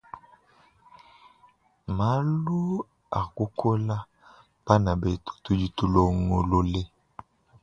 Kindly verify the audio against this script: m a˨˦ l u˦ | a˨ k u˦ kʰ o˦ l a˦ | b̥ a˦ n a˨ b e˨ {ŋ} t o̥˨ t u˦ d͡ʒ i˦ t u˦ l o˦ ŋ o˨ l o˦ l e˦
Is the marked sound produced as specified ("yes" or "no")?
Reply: no